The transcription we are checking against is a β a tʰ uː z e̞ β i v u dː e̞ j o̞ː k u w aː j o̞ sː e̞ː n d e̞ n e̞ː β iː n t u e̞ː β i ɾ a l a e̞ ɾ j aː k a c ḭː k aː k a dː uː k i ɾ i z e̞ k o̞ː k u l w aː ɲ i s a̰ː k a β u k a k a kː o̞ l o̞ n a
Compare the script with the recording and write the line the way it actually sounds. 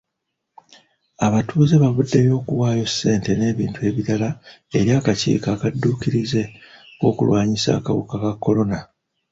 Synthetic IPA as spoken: a β a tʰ uː z e̞ β a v u dː e̞ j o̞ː k u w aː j o̞ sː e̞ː n t e̞ n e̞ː β iː n t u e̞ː β i ɾ a l a e̞ ɾ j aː k a c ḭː k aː k a dː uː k i ɾ i z e̞ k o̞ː k u l w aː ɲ i s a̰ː k a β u k a k a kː o̞ l o̞ n a